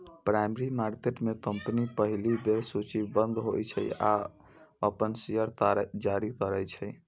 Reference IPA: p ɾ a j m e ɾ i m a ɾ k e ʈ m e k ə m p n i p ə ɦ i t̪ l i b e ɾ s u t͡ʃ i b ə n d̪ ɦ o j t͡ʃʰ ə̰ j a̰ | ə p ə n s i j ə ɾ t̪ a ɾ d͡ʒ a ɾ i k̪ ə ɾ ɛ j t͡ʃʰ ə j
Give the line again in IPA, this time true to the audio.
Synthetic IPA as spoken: p ɾ a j m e ɾ i m a ɾ k e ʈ m e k ə m p n i p ə ɦ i l i b e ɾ s u t͡ʃ i b ə n d̪ ɦ o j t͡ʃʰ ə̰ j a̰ | ə p ə n s i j ə ɾ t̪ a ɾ d͡ʒ a ɾ i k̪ ə ɾ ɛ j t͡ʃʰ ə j